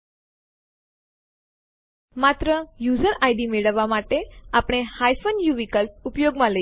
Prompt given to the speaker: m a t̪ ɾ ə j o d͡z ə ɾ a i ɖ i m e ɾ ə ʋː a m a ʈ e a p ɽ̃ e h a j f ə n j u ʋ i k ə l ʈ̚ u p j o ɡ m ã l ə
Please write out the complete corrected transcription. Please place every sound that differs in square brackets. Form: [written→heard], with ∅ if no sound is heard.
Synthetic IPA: m a t̪ ɾ ə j [o→u] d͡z ə ɾ a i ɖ i m e [ɾ→ɭ] ə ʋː a m a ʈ e a p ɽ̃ e h a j f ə n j u ʋ i k ə l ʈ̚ u p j o ɡ m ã l ə